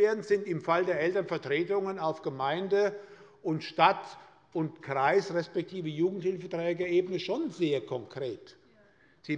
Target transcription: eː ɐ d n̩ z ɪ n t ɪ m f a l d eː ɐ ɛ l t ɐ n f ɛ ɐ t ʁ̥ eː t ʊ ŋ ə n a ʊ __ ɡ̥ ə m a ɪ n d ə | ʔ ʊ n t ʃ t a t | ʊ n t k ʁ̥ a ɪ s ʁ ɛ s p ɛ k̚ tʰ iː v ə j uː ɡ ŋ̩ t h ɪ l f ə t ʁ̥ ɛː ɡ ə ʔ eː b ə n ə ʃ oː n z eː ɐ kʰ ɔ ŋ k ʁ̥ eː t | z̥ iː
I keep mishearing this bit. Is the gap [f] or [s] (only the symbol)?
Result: f